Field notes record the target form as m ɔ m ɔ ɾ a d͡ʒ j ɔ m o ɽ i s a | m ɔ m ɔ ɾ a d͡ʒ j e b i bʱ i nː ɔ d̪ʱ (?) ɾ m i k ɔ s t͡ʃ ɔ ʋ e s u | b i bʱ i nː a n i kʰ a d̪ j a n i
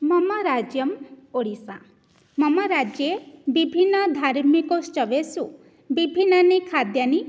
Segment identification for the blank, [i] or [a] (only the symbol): a